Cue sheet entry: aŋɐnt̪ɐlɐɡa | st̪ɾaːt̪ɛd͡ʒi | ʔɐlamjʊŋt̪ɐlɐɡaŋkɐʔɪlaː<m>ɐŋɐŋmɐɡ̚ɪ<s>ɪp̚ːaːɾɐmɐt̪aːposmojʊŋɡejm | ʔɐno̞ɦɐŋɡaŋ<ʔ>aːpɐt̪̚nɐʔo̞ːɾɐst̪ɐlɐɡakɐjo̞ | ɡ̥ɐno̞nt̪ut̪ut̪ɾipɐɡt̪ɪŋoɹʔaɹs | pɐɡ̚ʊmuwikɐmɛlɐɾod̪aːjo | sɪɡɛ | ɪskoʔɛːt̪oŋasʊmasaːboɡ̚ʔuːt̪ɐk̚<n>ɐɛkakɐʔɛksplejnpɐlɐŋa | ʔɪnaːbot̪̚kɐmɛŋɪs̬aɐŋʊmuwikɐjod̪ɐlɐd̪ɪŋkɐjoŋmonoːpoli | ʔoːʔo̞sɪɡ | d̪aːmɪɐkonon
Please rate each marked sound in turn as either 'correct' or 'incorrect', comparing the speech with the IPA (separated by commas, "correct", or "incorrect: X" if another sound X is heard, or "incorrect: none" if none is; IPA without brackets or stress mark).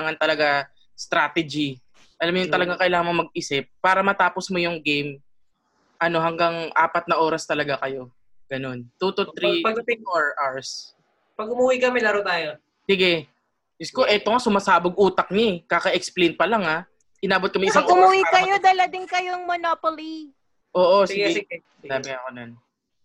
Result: incorrect: ŋ, correct, correct, incorrect: ɲ